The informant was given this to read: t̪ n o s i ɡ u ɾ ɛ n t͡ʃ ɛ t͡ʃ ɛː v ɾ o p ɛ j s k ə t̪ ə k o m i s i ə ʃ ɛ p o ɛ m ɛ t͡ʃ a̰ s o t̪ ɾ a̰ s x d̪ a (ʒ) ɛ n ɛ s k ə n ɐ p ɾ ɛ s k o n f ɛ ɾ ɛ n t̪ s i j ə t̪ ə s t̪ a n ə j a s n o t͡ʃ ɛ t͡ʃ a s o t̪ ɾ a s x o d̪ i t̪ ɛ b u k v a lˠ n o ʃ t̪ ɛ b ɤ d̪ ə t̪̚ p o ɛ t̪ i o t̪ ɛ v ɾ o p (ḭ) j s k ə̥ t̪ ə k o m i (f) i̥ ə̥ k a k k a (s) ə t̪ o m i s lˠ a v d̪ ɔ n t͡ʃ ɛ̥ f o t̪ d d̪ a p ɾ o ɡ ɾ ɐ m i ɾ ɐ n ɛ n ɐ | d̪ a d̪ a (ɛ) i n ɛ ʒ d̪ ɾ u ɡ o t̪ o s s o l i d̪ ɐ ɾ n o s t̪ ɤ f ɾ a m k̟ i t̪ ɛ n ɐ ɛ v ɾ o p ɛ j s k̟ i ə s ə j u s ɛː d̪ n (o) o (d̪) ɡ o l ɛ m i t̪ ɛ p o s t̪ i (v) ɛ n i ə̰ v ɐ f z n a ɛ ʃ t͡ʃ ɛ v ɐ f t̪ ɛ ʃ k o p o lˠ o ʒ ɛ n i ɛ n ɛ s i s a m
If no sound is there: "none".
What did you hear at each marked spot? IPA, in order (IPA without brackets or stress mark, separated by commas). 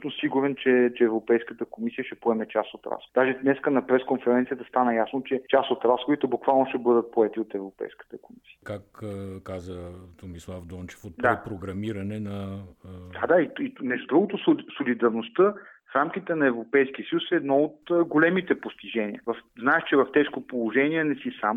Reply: ʒ, ɛ̰, s, z, i, ɔ, t̪, ʒ